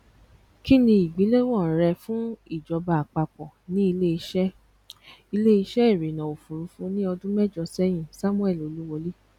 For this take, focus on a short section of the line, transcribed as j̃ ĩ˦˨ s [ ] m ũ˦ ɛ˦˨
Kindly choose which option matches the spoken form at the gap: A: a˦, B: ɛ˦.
A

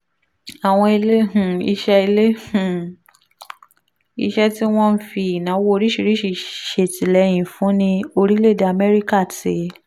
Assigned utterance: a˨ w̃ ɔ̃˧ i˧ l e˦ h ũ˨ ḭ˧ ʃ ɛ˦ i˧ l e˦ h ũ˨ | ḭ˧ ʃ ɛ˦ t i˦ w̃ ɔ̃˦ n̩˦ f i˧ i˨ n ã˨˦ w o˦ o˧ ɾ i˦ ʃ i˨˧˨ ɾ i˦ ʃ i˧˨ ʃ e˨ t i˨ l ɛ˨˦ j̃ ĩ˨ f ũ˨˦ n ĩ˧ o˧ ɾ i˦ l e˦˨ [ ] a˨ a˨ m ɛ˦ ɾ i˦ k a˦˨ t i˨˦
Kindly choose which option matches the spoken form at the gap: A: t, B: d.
B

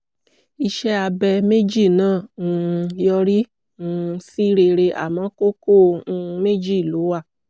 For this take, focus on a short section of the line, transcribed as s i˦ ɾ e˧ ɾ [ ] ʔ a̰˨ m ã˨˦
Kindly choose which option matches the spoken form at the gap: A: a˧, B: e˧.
B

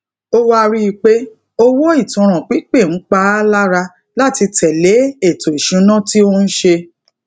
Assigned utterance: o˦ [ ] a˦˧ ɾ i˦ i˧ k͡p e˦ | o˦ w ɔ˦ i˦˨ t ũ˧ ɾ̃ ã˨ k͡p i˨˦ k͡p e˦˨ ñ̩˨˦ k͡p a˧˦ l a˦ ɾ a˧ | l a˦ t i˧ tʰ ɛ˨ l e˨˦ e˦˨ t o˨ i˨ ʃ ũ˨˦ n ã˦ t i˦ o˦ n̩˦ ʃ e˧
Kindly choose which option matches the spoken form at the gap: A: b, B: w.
B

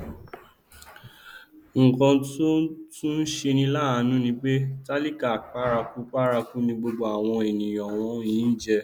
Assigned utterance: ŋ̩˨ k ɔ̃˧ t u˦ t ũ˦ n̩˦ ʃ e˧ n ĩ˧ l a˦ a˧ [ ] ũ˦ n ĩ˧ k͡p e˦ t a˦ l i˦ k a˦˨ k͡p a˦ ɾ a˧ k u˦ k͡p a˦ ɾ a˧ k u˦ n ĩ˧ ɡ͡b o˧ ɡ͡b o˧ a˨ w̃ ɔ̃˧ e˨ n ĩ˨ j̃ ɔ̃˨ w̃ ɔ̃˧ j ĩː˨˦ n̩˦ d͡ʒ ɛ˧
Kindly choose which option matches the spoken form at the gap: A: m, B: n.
B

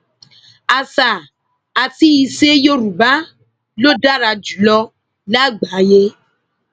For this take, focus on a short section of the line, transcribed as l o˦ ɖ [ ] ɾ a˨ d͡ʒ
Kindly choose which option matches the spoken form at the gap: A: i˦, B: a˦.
B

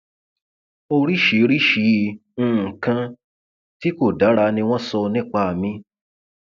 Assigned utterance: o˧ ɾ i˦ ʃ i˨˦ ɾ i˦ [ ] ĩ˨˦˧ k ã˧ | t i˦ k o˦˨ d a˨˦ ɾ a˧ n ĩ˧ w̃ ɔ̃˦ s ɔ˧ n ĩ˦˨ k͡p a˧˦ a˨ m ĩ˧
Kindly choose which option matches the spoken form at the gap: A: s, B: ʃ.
B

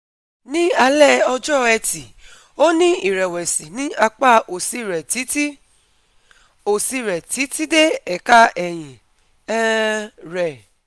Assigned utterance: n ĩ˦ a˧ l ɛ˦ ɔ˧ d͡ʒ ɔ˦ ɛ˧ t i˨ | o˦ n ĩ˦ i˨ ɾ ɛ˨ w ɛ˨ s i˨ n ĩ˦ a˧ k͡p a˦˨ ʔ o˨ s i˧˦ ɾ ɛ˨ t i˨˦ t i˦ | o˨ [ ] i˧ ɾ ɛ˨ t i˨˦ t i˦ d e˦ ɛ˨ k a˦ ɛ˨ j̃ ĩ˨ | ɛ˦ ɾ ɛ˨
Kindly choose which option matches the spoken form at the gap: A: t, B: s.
B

